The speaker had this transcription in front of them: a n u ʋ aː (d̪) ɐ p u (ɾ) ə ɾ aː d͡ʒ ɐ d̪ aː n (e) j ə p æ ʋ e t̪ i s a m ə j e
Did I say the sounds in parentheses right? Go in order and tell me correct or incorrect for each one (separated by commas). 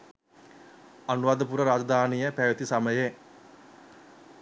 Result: correct, correct, incorrect